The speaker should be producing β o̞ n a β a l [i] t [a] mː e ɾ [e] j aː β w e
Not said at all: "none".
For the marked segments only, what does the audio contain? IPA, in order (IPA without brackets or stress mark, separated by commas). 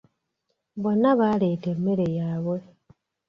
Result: e, e, e